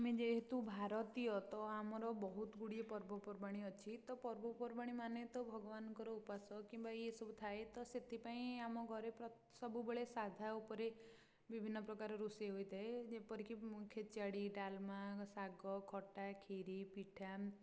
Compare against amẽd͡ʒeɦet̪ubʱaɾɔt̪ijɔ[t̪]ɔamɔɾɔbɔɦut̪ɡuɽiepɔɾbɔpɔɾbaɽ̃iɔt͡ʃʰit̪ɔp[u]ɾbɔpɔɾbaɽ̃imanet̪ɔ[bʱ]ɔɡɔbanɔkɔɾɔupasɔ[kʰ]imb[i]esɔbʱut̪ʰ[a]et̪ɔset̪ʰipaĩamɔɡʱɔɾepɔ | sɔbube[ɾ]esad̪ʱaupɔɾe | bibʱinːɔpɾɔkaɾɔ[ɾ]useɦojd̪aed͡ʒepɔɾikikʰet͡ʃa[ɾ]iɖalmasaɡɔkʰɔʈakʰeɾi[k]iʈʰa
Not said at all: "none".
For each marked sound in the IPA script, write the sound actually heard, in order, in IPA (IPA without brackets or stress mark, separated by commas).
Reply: t̪, ɔ, bʱ, k, a, a, ɭ, ɾ, ɽ, p